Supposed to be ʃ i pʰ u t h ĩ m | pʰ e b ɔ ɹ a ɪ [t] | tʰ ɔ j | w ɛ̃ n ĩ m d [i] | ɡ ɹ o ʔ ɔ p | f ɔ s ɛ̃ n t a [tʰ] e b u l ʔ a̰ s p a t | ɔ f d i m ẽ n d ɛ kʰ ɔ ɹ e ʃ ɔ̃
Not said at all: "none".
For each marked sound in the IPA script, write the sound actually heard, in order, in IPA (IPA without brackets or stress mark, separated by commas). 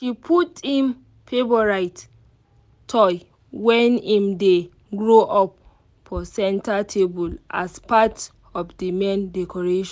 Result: t, e, tʰ